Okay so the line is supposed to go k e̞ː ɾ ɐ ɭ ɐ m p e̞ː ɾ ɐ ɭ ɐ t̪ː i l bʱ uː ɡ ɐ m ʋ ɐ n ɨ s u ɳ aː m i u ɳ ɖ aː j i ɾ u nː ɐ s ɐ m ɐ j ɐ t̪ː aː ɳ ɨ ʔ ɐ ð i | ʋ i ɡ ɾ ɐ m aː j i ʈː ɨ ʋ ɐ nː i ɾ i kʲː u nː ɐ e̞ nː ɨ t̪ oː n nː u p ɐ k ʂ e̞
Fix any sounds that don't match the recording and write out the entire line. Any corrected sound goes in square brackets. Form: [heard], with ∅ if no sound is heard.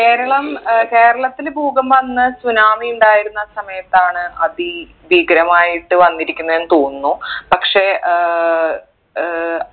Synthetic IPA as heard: k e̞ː ɾ ɐ ɭ ɐ m [k] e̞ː ɾ ɐ ɭ ɐ t̪ː i l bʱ uː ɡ ɐ m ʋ ɐ [nː] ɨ s u [n] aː m i u ɳ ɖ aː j i ɾ u nː ɐ s ɐ m ɐ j ɐ t̪ː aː ɳ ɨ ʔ ɐ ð i | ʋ i ɡ ɾ ɐ m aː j i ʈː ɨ ʋ ɐ nː i ɾ i kʲː u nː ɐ e̞ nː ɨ t̪ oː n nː u p ɐ k ʂ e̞